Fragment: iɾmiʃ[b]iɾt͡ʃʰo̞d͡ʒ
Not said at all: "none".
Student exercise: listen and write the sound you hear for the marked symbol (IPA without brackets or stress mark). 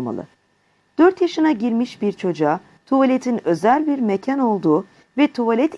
b